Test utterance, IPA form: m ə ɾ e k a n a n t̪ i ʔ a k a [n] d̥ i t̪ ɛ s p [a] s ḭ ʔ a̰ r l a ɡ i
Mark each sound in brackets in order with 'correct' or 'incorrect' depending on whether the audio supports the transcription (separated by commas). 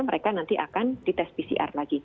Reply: correct, incorrect